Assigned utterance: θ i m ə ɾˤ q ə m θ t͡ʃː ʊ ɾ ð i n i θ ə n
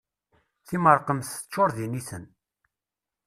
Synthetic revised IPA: θ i m ə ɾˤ q ə m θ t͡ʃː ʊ ɾ ð i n i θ ə n